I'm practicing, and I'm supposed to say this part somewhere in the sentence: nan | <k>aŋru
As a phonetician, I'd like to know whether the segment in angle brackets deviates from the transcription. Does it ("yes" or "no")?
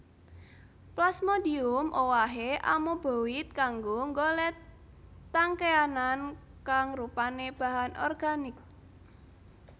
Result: no